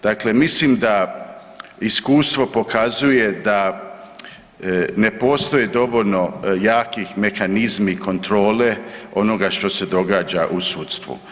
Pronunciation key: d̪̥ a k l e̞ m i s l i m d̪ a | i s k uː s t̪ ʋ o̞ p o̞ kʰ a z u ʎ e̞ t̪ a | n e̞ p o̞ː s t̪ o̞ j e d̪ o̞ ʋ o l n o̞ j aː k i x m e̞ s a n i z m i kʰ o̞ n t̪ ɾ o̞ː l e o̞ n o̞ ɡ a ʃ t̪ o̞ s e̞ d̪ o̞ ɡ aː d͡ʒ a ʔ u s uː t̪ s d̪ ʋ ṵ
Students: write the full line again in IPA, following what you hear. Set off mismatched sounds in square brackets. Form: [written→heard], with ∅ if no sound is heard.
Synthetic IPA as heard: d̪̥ a k l e̞ m i s l i m d̪ a | i s k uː s t̪ ʋ o̞ p o̞ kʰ a z u [ʎ→j] e̞ [t̪→d̪] a | n e̞ p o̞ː s t̪ o̞ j e d̪ o̞ ʋ o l n o̞ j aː k i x m e̞ [s→x] a n i z m i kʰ o̞ n t̪ ɾ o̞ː l e o̞ n o̞ ɡ a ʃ t̪ o̞ s e̞ d̪ o̞ ɡ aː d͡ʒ a ʔ u s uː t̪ s [d̪→t̪] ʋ ṵ